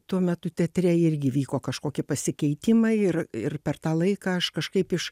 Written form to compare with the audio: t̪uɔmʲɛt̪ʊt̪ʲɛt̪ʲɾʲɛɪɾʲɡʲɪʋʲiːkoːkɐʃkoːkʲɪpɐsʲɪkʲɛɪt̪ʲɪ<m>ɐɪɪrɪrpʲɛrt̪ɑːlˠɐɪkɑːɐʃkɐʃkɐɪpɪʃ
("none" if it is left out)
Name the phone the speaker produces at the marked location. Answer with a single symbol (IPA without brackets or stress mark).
m